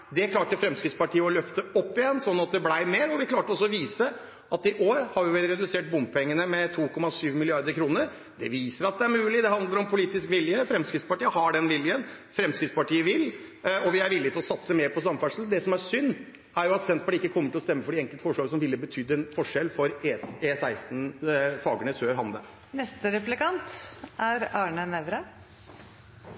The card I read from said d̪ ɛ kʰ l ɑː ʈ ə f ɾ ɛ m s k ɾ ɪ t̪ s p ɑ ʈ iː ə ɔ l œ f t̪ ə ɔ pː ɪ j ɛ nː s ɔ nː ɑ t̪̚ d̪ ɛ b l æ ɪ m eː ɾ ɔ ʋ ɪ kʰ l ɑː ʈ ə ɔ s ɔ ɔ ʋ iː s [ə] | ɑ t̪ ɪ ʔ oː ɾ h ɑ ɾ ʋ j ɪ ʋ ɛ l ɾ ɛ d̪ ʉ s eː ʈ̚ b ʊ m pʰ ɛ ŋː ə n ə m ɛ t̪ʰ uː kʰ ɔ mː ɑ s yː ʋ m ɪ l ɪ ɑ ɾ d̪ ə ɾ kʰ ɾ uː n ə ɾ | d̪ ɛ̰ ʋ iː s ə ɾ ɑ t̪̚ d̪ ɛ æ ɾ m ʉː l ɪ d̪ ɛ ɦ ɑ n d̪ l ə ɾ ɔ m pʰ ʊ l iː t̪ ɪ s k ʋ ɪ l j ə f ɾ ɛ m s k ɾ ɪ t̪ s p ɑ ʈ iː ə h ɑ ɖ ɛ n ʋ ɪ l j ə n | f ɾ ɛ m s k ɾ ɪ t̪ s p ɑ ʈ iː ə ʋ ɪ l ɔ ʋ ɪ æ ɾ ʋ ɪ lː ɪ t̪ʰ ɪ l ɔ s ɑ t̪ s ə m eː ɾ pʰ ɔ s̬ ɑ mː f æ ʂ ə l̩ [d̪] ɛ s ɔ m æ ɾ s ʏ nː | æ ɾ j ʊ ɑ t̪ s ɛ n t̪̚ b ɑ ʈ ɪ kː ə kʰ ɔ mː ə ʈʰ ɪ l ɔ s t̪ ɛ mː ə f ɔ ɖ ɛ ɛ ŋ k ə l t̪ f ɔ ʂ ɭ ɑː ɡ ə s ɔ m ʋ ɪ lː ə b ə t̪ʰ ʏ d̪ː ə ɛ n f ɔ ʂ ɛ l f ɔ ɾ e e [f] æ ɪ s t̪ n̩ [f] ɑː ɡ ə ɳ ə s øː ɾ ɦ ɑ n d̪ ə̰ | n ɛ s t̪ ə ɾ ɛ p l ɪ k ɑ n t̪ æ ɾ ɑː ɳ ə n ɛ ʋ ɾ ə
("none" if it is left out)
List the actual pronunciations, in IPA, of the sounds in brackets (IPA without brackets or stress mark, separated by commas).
ə, d̪, s, f